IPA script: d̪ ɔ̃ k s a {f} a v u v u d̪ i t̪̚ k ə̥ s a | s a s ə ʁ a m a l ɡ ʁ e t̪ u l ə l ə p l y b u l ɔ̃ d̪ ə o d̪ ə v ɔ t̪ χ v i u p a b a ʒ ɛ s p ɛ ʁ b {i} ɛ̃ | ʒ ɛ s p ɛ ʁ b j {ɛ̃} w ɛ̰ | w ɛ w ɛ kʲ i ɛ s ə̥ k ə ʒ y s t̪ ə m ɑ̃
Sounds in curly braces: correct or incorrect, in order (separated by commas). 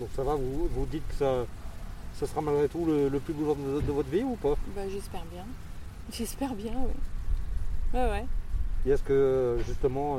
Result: incorrect, incorrect, correct